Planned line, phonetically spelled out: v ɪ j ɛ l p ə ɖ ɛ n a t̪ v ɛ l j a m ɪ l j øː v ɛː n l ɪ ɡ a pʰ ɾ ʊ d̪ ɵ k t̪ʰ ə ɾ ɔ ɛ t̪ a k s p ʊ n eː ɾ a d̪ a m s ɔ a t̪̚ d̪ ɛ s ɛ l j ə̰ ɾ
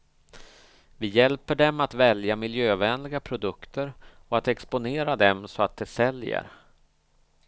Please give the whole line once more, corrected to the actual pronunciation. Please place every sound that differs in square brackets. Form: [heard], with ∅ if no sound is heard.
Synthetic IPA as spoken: v ɪ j ɛ l p ə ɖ ɛ [m] a t̪ v ɛ l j a m ɪ l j øː v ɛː n l ɪ ɡ a pʰ ɾ ʊ d̪ ɵ k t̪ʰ ə ɾ ɔ [a] t̪ [ɛ] k s p ʊ n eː ɾ a d̪ [ɛ] m s ɔ a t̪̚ d̪ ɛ s ɛ l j ə̰ ɾ